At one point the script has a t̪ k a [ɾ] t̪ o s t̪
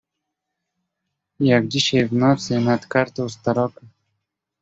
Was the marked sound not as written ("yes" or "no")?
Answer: no